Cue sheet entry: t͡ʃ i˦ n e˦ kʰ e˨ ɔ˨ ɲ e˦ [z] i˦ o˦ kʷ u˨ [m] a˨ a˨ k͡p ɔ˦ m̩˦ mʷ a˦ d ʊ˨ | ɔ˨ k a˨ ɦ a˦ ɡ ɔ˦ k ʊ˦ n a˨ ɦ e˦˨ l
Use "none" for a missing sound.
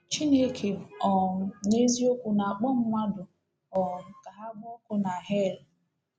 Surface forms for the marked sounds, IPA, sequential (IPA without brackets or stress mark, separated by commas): z, n